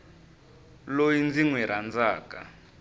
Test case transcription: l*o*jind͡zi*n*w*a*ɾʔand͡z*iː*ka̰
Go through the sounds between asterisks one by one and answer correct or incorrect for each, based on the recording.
correct, incorrect: ŋ, incorrect: ɛ, incorrect: aː

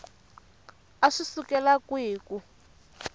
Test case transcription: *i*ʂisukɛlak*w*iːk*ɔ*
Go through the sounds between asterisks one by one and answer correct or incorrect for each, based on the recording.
incorrect: a, correct, incorrect: u

